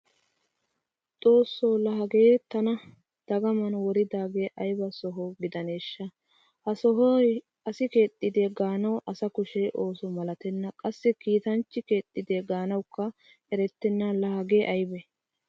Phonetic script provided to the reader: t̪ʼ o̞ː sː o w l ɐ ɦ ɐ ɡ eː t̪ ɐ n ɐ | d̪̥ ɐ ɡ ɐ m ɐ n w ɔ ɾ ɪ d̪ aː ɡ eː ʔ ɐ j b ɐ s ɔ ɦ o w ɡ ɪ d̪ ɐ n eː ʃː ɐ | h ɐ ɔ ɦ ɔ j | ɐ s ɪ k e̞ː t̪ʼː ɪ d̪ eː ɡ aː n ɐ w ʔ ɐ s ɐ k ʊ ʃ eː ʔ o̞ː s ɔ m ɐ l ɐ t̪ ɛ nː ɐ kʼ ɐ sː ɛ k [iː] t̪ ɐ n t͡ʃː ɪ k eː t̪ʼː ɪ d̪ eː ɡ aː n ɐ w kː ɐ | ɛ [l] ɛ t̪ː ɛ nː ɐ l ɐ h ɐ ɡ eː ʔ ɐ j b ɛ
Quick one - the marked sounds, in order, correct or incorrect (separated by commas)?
correct, incorrect